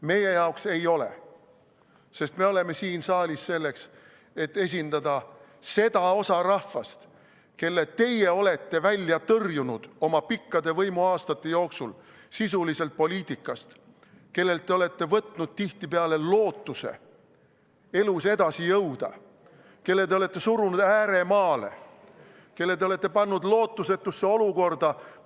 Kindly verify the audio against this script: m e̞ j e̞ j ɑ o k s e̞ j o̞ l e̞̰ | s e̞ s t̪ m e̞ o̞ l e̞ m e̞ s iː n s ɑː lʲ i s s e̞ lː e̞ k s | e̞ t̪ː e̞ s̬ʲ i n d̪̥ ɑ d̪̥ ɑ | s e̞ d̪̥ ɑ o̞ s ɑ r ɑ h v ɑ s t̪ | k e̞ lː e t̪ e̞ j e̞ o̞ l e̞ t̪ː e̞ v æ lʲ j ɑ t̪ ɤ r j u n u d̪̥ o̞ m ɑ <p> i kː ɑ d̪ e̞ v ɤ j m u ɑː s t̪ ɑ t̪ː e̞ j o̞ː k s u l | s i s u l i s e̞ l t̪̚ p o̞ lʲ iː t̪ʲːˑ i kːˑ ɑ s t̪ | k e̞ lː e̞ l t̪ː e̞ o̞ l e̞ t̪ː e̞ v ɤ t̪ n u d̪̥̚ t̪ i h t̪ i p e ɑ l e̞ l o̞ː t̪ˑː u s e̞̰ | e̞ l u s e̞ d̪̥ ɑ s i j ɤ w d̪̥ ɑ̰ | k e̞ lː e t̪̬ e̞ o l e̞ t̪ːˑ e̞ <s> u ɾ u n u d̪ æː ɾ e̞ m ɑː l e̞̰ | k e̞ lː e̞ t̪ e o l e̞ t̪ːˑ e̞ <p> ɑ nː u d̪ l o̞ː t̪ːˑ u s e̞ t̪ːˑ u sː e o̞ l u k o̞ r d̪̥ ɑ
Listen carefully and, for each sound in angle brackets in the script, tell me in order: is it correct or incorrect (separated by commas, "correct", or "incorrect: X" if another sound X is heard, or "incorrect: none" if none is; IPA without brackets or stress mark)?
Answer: correct, correct, correct